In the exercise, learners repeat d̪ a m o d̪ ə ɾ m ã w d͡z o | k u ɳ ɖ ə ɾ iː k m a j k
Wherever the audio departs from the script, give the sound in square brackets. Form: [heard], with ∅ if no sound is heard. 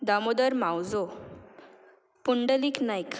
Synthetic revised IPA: d̪ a m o d̪ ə ɾ m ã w d͡z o | [p] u ɳ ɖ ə [l] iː k [n] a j k